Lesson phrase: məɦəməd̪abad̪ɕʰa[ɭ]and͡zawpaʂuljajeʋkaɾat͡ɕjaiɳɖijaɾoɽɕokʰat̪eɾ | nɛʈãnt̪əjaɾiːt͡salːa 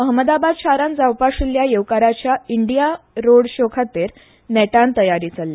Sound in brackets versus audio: incorrect: ɾ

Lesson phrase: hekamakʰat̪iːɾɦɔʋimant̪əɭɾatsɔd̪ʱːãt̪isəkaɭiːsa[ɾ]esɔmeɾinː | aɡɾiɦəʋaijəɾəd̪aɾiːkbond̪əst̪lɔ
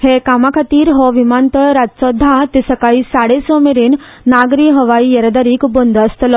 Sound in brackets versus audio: incorrect: ɽ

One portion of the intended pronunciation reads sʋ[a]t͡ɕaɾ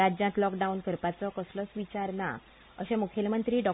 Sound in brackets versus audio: incorrect: i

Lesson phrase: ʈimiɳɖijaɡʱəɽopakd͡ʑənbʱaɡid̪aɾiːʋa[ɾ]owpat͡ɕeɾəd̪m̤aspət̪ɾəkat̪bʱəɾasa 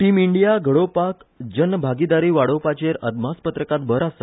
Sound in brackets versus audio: incorrect: ɽ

